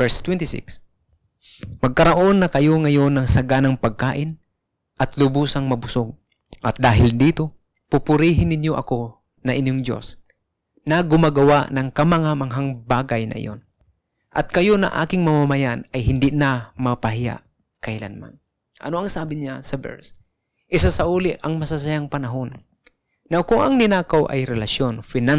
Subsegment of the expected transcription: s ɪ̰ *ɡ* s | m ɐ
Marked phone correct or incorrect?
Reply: incorrect